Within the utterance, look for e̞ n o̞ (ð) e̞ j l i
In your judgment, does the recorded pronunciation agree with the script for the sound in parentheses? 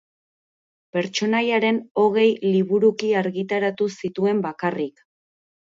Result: no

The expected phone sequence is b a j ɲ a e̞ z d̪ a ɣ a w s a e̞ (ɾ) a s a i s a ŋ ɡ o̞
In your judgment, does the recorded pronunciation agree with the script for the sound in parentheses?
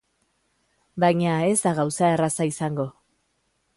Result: no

